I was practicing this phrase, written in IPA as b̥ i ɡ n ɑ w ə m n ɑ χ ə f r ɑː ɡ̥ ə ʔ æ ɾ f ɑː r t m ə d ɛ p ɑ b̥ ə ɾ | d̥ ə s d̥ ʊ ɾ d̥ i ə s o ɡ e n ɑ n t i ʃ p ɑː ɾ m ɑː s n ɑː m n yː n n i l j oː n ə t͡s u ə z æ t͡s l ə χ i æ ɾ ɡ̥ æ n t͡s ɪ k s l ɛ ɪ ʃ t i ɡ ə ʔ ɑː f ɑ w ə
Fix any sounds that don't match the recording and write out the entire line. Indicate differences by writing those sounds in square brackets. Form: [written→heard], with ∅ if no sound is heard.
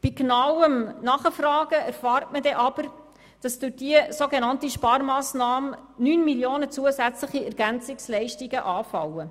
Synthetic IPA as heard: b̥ i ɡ n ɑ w ə m n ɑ χ ə f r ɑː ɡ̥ ə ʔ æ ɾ f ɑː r t m ə d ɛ [p→ʔ] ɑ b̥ ə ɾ | d̥ [ə→ɑ] s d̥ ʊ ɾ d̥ i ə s o ɡ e n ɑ n t i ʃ p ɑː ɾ m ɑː s n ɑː m n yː n [n→m] i l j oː n ə t͡s u ə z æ t͡s l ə χ i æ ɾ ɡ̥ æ n t͡s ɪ k s l ɛ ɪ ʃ t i ɡ ə ʔ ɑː f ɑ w ə